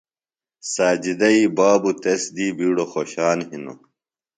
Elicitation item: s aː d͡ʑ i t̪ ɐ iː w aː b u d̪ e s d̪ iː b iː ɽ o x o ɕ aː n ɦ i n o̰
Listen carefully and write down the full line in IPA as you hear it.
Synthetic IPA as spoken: s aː d͡ʑ i d̪ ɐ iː b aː b u t̪ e s d̪ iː b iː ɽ o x o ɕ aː n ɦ i n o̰